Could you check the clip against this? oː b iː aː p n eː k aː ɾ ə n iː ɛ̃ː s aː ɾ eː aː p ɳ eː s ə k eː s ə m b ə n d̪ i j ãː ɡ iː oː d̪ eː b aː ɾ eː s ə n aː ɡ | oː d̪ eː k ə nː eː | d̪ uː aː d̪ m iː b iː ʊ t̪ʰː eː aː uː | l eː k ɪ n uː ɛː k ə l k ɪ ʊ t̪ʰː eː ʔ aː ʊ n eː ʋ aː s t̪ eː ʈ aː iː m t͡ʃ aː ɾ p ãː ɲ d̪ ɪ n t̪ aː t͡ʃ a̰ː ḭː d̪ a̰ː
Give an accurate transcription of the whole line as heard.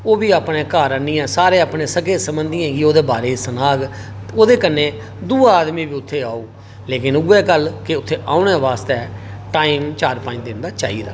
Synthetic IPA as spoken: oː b iː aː p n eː k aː ɾ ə n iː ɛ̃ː s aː ɾ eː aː p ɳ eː s ə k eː s ə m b ə n d̪ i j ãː ɡ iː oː d̪ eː b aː ɾ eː s ə n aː ɡ | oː d̪ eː k ə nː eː | d̪ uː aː d̪ m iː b iː ʊ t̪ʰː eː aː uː | l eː k ɪ n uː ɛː k ə l k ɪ ʊ t̪ʰː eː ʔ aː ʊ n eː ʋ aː s t̪ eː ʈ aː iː m t͡ʃ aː ɾ p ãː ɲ d̪ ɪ n d̪ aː t͡ʃ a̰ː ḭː d̪ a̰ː